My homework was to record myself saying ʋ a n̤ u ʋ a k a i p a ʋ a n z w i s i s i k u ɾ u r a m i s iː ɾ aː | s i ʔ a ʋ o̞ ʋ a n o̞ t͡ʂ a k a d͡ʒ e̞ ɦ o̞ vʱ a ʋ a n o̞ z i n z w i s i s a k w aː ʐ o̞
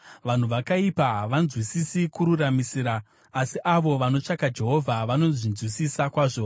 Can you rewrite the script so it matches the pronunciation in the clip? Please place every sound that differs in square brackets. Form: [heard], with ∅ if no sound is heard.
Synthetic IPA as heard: ʋ a n̤ u ʋ a k a i p a ʋ a n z w i s i s i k u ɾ u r a m i s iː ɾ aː | s i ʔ a ʋ o̞ ʋ a n o̞ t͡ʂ a k a d͡ʒ e̞ ɦ o̞ vʱ a ʋ a n o̞ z i n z w i s i s a k w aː ʐ o̞